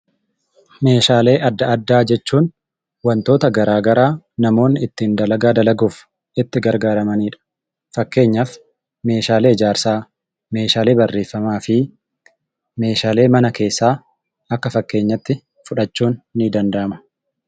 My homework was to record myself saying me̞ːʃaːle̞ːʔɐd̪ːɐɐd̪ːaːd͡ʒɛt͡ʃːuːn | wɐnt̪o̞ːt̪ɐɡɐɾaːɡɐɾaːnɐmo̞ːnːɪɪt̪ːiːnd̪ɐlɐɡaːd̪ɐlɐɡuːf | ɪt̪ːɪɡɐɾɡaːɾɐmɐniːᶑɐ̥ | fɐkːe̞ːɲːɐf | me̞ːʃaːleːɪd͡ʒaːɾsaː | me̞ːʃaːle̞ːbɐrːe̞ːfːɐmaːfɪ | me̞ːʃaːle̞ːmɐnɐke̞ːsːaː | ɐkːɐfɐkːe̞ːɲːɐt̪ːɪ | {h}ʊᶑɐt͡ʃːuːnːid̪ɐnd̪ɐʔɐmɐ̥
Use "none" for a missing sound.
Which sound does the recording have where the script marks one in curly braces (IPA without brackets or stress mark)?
f